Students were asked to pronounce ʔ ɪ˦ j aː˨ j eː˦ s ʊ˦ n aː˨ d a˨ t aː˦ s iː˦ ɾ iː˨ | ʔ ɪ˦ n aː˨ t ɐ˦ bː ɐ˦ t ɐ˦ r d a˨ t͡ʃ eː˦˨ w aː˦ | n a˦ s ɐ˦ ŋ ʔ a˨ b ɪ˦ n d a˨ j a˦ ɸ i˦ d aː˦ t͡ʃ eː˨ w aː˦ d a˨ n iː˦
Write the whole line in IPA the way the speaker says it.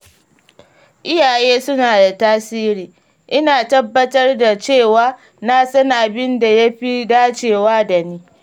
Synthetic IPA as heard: ʔ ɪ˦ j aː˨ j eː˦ s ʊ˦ n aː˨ d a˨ t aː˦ s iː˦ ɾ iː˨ | ʔ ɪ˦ n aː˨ t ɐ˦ bː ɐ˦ t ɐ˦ r d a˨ t͡ʃ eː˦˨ w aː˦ | n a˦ s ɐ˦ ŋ ʔ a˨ b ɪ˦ n d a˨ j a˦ ɸ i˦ d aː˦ t͡ʃ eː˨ w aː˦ d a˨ n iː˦